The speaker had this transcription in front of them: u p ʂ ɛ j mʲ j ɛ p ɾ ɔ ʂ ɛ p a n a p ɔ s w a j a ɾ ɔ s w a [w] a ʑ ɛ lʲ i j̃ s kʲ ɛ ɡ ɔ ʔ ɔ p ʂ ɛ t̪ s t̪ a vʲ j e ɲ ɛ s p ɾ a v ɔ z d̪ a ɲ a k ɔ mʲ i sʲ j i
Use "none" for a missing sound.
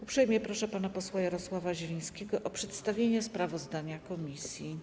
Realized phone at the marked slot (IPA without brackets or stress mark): v